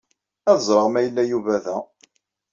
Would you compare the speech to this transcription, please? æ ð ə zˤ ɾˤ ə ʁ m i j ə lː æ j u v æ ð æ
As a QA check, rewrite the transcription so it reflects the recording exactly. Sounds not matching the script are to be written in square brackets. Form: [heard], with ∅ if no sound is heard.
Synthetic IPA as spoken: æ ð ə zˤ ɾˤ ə ʁ m [æ] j ə lː æ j u v æ ð æ